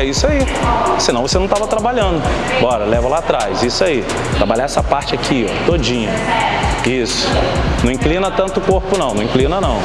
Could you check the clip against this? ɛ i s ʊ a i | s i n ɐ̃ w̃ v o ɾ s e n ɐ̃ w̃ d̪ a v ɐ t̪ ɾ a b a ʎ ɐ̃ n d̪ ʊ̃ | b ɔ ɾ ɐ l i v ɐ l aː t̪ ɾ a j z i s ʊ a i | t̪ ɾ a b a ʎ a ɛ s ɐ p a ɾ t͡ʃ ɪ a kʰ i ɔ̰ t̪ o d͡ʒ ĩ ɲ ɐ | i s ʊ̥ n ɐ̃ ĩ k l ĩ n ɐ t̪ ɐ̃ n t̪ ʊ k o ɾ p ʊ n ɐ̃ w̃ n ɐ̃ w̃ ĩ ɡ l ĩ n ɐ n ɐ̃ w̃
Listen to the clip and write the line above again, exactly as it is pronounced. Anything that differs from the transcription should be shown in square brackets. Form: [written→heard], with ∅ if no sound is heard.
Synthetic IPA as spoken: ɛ i s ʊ a i | s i n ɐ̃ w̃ v o [ɾ→∅] s e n ɐ̃ w̃ [d̪→t̪] a v ɐ t̪ ɾ a b a ʎ ɐ̃ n d̪ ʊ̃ | b ɔ ɾ ɐ l [i→ɛ] v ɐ l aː t̪ ɾ a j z i s ʊ a i | t̪ ɾ a b a ʎ a ɛ s ɐ p a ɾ t͡ʃ ɪ a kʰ i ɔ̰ t̪ o d͡ʒ ĩ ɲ ɐ | i s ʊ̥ n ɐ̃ ĩ k l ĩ n ɐ t̪ ɐ̃ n t̪ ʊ k o ɾ p ʊ n ɐ̃ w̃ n ɐ̃ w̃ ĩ [ɡ→k] l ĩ n ɐ n ɐ̃ w̃